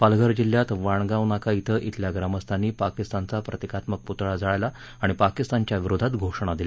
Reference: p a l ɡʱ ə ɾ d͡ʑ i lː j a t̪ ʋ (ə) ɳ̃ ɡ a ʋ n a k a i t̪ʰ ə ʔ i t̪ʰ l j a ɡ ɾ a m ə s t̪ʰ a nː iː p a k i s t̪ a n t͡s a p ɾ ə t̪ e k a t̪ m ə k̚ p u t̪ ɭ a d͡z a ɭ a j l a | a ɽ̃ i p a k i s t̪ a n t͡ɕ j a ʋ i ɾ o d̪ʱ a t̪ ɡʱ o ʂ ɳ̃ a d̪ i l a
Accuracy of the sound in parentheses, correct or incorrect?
incorrect